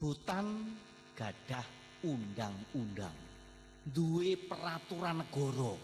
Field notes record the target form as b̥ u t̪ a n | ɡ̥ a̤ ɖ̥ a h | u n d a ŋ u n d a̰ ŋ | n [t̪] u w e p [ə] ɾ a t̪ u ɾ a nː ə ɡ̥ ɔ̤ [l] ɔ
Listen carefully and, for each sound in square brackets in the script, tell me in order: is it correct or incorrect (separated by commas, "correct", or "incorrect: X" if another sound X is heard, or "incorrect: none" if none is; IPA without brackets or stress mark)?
incorrect: d̪, correct, incorrect: ɾ